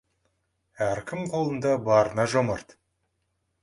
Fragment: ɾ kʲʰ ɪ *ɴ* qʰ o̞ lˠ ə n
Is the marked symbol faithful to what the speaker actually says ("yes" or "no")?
no